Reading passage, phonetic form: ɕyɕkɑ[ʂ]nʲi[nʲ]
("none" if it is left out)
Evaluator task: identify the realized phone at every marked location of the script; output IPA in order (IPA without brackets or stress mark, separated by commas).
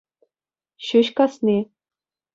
s, none